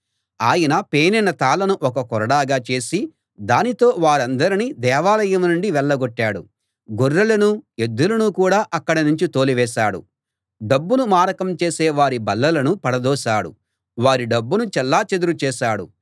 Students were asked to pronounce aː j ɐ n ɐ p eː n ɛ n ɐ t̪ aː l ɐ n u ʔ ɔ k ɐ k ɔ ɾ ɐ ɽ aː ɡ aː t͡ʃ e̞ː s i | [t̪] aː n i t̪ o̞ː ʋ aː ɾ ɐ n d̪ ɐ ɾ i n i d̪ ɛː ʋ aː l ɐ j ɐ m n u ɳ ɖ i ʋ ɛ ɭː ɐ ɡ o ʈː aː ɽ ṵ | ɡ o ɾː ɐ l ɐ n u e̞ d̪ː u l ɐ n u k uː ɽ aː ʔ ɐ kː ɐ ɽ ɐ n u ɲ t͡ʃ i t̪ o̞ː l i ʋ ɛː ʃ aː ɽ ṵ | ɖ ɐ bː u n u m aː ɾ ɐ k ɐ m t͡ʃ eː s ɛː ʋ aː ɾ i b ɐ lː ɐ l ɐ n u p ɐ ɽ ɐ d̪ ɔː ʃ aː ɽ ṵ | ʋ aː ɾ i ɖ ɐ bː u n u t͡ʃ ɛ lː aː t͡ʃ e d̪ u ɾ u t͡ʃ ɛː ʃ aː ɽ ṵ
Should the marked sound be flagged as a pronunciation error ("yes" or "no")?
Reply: yes